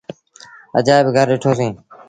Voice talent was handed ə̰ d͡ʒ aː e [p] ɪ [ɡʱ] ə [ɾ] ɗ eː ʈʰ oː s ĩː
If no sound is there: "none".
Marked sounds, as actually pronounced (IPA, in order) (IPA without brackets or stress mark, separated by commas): b, ɡʱ, ɾ